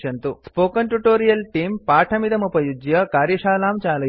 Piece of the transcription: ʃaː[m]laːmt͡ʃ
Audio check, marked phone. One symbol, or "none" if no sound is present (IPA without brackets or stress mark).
none